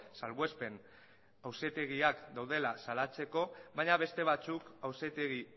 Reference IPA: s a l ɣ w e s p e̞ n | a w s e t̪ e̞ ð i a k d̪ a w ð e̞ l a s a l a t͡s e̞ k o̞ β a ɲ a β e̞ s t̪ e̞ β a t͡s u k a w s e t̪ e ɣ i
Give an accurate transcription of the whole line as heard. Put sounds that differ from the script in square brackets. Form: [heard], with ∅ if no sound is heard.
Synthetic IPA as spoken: s a l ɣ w e s p e̞ n | a w s e t̪ e̞ [ɣ] i a k d̪ a w ð e̞ l a s a l a t͡s e̞ k o̞ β a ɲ a β e̞ s t̪ e̞ β a t͡s u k a w s e t̪ e ɣ i